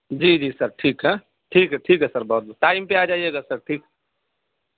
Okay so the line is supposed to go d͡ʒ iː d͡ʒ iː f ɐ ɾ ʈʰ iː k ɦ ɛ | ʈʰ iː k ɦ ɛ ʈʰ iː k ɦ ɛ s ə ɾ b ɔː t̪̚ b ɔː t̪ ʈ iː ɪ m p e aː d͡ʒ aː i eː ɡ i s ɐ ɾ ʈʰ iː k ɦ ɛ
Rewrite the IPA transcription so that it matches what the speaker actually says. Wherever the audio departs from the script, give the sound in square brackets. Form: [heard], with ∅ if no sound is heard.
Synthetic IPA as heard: d͡ʒ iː d͡ʒ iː [s] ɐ ɾ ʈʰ iː k ɦ ɛ | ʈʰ iː k ɦ ɛ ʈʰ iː k ɦ ɛ s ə ɾ b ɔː t̪̚ b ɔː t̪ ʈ [aː] ɪ m p e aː d͡ʒ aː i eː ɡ [a] s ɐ ɾ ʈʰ iː k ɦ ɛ